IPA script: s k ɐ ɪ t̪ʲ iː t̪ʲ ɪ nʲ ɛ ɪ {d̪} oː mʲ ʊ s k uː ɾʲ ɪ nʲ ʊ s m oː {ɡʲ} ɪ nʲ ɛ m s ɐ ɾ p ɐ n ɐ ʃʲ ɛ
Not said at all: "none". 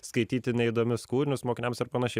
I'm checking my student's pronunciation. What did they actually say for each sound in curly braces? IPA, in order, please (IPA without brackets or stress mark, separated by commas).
d̪, kʲ